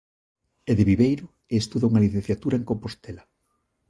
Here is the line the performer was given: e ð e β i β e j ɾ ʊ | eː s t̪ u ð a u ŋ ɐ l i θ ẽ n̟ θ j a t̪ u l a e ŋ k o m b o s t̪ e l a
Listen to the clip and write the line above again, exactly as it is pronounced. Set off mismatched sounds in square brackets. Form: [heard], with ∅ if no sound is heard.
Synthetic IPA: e ð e β i β e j ɾ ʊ | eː s t̪ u ð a u ŋ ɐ l i θ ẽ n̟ θ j a t̪ u [ɾ] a e ŋ k o m [p] o s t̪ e l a

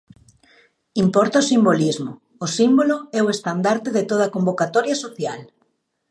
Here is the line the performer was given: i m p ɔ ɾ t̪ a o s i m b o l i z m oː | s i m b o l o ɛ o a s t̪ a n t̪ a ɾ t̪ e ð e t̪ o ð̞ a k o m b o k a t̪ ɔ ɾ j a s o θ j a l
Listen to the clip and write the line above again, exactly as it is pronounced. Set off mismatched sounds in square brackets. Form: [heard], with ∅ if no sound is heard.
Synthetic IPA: i m p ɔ ɾ t̪ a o s i m b o l i z m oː | s i m b o l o ɛ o [e] s t̪ a n [d̪] a ɾ t̪ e ð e t̪ o ð̞ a k o m b o k a t̪ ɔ ɾ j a s o θ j a l

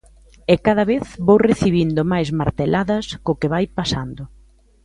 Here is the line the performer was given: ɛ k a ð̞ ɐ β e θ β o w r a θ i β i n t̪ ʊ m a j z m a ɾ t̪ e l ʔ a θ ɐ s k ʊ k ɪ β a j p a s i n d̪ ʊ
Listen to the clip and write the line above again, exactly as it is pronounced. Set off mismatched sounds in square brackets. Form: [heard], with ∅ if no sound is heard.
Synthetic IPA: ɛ k a ð̞ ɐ β e θ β o w r [e] θ i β i n [d̪] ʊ m a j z m a ɾ t̪ e l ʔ a [ð] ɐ s k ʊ k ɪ β a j p a s [a] n d̪ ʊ

